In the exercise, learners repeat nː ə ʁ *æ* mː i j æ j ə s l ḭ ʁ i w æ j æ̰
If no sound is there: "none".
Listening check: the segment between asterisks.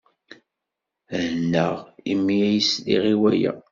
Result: i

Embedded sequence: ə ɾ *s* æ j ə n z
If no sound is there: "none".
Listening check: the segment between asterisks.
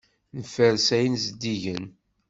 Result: s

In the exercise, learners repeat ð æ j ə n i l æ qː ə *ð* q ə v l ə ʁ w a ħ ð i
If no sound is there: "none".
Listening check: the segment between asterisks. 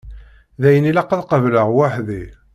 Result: ð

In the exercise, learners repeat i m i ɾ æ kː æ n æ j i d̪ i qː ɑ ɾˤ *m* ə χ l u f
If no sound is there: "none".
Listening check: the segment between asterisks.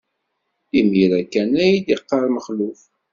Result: m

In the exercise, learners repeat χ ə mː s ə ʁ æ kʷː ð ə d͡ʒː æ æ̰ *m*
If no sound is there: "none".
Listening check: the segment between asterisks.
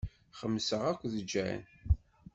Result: n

